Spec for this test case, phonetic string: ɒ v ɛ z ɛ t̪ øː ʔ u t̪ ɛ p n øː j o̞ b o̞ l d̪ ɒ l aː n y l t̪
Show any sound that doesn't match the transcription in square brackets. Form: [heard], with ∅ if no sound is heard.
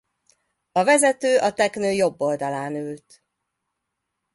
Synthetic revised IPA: ɒ v ɛ z ɛ t̪ øː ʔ [ɒ] t̪ ɛ [k] n øː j o̞ [bː] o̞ l d̪ ɒ l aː n y l t̪